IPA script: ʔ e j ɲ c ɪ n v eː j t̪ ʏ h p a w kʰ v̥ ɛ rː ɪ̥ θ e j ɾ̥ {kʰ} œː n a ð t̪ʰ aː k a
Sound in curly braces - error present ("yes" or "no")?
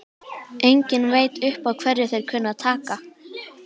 no